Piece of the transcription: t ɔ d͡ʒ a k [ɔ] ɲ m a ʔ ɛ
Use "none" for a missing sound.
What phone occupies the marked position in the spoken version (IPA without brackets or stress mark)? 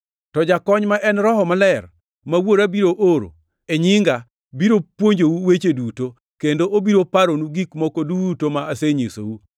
ɔ